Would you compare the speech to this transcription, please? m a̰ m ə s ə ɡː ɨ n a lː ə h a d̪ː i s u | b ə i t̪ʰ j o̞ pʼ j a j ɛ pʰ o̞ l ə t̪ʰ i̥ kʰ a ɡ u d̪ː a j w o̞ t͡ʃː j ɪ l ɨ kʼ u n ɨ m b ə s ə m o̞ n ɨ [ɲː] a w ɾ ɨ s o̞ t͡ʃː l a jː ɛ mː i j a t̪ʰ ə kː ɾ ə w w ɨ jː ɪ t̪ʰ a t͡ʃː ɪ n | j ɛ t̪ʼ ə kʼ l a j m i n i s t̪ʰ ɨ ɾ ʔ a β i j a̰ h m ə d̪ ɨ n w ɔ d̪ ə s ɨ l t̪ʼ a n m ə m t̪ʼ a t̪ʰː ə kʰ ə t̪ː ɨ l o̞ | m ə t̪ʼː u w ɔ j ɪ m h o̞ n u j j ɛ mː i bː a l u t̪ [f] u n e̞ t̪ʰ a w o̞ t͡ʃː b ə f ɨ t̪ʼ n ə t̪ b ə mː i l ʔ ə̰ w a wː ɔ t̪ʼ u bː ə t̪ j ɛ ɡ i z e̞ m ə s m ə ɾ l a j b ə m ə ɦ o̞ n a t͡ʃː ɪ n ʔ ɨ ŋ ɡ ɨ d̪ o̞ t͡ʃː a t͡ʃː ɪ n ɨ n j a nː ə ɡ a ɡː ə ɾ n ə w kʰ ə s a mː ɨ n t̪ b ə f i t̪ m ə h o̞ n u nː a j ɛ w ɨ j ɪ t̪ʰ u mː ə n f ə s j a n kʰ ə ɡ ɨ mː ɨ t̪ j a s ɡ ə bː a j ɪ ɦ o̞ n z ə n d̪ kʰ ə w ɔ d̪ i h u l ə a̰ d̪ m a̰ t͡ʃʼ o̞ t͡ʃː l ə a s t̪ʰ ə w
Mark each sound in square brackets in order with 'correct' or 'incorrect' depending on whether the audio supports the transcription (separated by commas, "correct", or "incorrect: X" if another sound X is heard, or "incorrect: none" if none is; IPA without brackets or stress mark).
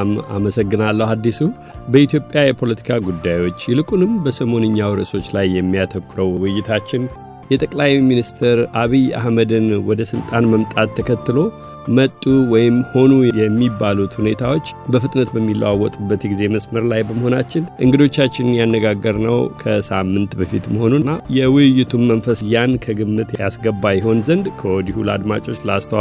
correct, incorrect: h